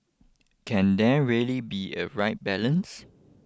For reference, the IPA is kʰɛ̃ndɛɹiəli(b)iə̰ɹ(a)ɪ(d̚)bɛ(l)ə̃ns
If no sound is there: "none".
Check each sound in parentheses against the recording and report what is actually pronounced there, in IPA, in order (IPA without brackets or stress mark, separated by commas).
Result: b, a, t̚, l